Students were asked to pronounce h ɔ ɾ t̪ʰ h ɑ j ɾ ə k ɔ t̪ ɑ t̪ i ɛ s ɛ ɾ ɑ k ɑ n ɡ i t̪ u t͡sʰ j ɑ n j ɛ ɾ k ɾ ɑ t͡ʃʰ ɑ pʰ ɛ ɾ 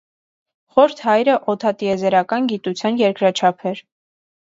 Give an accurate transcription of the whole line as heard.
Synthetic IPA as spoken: χ ɔ ɾ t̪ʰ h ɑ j ɾ ə ʔ ɔ t̪ʰ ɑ t̪ i ɛ z ɛ ɾ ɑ k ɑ n ɡ i t̪ u t͡sʰ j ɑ n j ɛ ɾ k ɾ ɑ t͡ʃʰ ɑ pʰ ɛ ɾ